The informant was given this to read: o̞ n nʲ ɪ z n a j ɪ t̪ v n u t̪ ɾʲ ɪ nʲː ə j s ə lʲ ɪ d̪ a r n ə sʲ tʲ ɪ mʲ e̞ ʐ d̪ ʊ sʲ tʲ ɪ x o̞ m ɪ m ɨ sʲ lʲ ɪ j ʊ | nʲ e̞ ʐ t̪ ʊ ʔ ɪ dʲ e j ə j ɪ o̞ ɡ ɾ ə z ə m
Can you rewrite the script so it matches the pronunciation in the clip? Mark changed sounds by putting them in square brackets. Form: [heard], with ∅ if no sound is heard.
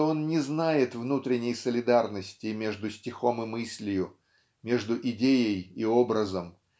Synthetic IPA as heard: o̞ n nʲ ɪ z n a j ɪ t̪ v n u t̪ ɾʲ ɪ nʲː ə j s ə lʲ ɪ d̪ a r n ə sʲ tʲ ɪ mʲ e̞ ʐ d̪ ʊ sʲ tʲ ɪ x o̞ m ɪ m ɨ sʲ lʲ ɪ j ʊ | [mʲ] e̞ ʐ [d̪] ʊ ʔ ɪ dʲ e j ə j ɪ o̞ [b] ɾ ə z ə m

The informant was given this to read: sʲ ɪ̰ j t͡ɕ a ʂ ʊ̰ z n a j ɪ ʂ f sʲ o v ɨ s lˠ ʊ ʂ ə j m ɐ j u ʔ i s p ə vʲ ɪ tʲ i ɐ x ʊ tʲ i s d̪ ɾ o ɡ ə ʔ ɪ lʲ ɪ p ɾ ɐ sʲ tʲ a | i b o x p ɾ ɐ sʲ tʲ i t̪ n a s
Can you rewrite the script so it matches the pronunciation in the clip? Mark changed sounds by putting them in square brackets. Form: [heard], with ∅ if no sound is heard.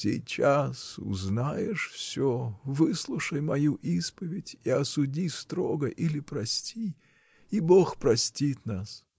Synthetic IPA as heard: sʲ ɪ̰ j t͡ɕ a [s] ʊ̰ z n a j ɪ ʂ f sʲ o v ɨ s lˠ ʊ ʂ ə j m ɐ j u ʔ i s p ə vʲ ɪ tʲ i ɐ [s] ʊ [dʲ] i s [t̪] ɾ o ɡ ə ʔ [i] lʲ ɪ p ɾ ɐ sʲ tʲ [i] | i b o x p ɾ ɐ sʲ tʲ i t̪ n a s

